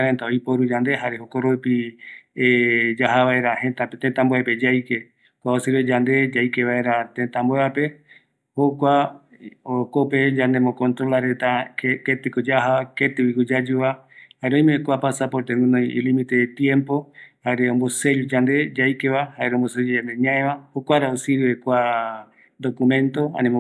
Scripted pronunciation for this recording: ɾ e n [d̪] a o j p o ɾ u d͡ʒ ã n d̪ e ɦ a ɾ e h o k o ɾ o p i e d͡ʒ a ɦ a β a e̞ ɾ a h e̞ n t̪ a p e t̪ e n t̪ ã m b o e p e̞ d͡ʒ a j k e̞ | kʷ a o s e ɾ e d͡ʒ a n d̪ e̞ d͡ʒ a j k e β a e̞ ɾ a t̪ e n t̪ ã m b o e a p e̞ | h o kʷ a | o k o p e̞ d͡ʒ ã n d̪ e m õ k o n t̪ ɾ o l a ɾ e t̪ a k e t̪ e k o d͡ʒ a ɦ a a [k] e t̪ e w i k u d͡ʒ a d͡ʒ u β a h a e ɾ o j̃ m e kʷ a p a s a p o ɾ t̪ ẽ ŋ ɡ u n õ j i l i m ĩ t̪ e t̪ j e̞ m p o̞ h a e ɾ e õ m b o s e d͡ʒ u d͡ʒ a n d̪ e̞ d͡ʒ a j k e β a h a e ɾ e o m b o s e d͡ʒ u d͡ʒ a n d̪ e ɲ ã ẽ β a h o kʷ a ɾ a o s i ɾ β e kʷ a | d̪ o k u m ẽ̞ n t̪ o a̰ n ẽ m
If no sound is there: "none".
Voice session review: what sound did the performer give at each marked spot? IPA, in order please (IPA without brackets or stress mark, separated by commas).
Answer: t̪, k